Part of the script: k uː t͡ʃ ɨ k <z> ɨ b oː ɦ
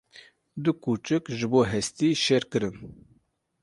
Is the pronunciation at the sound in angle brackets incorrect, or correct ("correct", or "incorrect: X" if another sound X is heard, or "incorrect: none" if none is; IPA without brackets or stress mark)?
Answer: incorrect: ʒ